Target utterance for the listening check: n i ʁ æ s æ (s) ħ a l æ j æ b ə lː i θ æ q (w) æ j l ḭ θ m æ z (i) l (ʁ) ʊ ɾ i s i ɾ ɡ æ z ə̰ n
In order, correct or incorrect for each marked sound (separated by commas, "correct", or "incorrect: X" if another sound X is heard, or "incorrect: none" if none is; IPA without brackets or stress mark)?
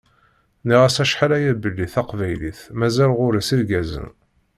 incorrect: ʃ, incorrect: v, incorrect: æ, correct